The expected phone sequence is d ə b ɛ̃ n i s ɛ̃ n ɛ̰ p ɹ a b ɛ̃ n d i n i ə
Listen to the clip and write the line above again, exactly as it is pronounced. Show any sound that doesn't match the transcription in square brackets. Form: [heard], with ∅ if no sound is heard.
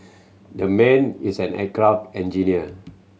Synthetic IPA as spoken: d ə [m] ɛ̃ n i s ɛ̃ n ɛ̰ [k] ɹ a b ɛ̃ n [d͡ʒ] i n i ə

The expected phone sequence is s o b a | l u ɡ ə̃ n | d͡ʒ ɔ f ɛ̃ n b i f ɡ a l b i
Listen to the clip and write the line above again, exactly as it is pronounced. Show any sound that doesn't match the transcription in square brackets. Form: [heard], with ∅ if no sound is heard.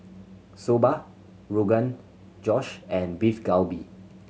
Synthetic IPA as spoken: s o b a | [ɹ] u ɡ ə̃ n | d͡ʒ ɔ [ʃ] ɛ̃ n b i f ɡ a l b i

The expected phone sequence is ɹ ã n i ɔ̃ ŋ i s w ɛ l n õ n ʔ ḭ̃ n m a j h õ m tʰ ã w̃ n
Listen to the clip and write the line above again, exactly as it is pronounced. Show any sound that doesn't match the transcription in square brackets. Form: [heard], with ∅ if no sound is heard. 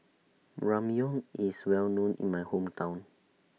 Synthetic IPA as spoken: ɹ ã [m] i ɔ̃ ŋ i s w ɛ l n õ n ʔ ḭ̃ n m a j h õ m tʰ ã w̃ n

